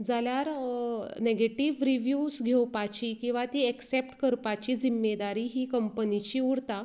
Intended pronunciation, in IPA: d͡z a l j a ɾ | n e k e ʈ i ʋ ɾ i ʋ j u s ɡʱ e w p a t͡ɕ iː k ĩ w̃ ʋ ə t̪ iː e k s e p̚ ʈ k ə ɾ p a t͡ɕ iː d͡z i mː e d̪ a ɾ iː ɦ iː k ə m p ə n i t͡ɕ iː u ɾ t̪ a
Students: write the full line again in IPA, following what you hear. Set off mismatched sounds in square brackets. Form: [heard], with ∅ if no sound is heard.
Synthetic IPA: d͡z a l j a ɾ | n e [ɡ] e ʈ i ʋ ɾ i ʋ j u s ɡʱ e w p a t͡ɕ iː k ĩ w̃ ʋ [a] t̪ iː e k s e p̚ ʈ k ə ɾ p a t͡ɕ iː d͡z i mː e d̪ a ɾ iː ɦ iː k ə m p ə n i t͡ɕ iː u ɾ t̪ a